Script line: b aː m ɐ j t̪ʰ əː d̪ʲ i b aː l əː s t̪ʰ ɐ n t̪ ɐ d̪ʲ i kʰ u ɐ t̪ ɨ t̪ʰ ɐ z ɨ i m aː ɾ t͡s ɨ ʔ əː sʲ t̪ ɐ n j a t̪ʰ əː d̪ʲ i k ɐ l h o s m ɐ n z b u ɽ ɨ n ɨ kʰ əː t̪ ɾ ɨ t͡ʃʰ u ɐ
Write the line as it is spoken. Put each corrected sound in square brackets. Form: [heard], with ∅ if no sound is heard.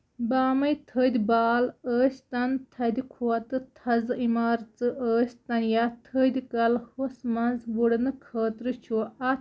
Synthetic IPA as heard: b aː m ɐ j t̪ʰ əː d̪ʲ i b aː l əː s [t̪] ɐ n [t̪ʰ] ɐ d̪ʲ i kʰ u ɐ t̪ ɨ t̪ʰ ɐ z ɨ i m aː ɾ t͡s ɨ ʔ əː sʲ t̪ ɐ n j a t̪ʰ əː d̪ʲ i k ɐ l h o s m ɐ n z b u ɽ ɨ n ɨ kʰ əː t̪ ɾ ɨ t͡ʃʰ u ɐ